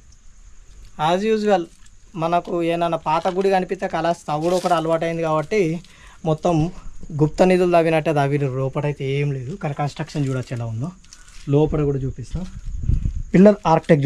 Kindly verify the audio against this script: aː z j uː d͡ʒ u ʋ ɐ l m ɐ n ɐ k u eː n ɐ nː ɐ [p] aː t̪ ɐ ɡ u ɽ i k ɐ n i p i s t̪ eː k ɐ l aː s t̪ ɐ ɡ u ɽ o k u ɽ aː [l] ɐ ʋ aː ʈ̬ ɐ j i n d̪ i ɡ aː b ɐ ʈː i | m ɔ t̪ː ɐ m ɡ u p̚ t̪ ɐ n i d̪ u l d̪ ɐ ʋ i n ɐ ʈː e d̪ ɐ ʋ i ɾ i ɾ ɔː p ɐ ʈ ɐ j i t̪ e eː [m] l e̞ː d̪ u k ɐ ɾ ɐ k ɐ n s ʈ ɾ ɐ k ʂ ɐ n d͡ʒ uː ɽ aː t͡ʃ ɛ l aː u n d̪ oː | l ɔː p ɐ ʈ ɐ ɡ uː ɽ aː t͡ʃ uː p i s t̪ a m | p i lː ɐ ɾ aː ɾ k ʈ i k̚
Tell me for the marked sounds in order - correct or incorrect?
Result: correct, correct, correct

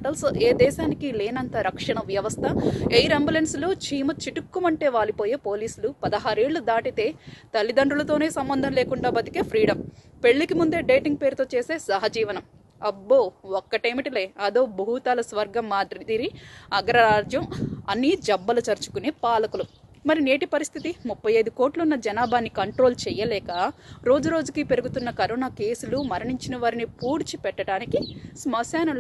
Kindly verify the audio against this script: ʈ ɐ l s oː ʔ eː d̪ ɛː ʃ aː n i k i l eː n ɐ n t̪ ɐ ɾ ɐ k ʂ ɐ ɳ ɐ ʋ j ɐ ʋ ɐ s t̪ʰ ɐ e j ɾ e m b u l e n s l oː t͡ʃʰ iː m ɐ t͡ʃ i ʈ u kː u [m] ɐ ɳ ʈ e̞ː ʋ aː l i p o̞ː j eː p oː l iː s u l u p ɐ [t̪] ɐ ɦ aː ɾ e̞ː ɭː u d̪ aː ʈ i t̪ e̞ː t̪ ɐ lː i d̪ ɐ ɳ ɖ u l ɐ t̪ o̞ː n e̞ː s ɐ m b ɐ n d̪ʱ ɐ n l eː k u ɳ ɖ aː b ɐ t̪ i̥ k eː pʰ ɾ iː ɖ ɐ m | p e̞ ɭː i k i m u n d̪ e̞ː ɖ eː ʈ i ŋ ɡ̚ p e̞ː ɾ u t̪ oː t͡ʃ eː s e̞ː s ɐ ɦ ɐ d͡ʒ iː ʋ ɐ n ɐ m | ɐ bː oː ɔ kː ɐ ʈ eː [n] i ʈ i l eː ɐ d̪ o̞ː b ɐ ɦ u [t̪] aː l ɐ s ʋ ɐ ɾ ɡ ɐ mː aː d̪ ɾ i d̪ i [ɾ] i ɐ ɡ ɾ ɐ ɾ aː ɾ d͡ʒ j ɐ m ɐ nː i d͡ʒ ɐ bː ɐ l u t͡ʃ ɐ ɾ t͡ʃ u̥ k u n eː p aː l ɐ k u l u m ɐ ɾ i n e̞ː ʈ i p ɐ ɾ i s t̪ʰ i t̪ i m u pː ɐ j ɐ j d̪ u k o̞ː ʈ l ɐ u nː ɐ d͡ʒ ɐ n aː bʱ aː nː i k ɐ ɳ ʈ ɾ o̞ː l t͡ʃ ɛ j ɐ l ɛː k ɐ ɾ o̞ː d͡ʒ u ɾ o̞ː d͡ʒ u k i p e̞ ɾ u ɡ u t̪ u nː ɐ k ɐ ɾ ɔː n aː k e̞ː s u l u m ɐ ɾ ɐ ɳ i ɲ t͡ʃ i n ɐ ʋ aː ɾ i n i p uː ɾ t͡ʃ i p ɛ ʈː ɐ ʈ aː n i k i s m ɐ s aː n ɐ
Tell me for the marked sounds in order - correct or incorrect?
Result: correct, incorrect: d̪, incorrect: m, correct, correct

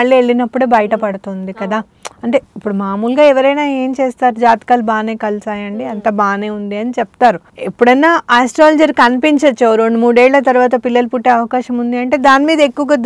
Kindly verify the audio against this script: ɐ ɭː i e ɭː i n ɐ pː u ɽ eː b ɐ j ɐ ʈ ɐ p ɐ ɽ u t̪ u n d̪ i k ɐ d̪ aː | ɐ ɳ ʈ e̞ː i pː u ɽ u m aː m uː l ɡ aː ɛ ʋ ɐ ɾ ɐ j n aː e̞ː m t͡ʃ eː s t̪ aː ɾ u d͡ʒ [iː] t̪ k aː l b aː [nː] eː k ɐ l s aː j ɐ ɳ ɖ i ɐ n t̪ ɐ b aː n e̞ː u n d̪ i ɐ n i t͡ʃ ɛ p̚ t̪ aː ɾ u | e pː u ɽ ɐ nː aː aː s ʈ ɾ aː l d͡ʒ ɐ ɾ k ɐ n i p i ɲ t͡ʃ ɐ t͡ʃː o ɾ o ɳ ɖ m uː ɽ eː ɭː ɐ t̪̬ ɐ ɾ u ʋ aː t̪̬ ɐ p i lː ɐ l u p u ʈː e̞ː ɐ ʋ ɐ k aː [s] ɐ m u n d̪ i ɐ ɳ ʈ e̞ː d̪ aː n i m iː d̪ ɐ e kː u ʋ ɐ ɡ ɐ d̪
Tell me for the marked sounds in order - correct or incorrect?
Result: incorrect: aː, incorrect: n, incorrect: ʃ

